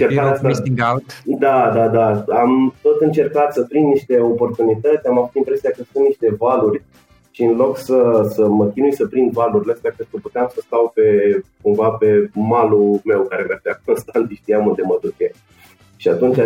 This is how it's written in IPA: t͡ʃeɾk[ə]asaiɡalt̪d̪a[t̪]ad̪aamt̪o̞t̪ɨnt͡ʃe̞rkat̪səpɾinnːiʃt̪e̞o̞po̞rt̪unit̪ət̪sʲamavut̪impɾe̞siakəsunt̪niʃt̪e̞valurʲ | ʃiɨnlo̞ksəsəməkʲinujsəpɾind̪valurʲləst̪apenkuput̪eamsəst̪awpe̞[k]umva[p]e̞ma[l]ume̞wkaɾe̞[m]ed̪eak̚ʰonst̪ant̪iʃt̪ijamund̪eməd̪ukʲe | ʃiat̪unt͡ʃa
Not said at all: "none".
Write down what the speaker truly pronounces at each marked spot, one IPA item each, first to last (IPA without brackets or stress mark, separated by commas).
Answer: a, d̪, k, p, l, m